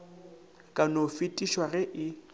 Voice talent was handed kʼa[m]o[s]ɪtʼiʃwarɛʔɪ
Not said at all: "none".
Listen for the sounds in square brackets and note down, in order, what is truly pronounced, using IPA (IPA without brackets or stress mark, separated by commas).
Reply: n, f